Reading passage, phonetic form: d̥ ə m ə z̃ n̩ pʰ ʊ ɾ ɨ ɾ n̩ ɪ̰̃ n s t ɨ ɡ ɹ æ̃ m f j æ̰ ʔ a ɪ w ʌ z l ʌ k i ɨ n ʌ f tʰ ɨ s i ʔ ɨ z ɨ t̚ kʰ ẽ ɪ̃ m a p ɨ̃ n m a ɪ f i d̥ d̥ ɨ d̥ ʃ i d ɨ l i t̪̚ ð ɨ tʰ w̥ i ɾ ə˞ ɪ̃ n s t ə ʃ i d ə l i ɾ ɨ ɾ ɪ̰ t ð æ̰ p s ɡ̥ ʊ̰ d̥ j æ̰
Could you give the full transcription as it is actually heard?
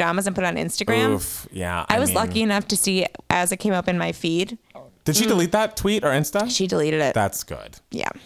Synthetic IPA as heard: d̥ ɑ m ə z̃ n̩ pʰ ʊ ɾ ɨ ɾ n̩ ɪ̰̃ n s t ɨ ɡ ɹ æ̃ m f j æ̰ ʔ a ɪ w ʌ z l ʌ k i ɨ n ʌ f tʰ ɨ s i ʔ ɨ z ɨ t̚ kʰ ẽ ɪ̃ m ʌ p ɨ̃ n m a ɪ f i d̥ d̥ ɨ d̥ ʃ i d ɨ l i t̪̚ ð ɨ tʰ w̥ i ɾ ə˞ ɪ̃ n s t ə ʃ i d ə l i ɾ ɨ ɾ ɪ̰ t ð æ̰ t s ɡ̥ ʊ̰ d̥ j æ̰